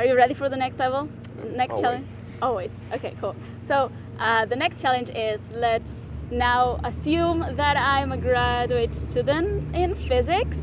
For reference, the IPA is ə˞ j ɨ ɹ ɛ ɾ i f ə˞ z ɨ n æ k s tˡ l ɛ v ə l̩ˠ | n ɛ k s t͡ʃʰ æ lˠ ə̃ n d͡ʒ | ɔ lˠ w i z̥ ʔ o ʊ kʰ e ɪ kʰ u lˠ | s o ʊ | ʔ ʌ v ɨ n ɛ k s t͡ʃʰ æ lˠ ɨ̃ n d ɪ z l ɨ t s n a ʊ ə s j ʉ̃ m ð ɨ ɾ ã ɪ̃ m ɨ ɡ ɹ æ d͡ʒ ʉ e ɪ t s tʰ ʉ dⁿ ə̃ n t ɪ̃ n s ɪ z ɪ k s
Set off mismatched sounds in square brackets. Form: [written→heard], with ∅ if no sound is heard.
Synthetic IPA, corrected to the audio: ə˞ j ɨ ɹ ɛ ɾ i f ə˞ [z→ð] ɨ n [æ→ɛ] k s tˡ l ɛ v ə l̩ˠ | n ɛ k s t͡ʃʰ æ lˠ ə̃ n d͡ʒ | ɔ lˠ w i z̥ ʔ o ʊ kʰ e ɪ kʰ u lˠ | s o ʊ | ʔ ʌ [v→ð] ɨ n ɛ k s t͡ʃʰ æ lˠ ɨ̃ n [d→d͡ʒ] ɪ z l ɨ t s n a ʊ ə s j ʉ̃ m ð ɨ ɾ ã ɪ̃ m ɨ ɡ ɹ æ d͡ʒ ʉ e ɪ t s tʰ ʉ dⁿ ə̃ n t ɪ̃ n [s→f] ɪ z ɪ k s